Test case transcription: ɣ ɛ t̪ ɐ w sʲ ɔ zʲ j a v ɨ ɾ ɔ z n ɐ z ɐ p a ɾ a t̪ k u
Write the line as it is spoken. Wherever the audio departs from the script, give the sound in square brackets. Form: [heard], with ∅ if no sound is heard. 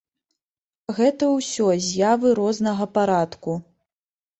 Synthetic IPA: ɣ ɛ t̪ ɐ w sʲ ɔ zʲ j a v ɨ ɾ ɔ z n ɐ [ɣ] ɐ p a ɾ a t̪ k u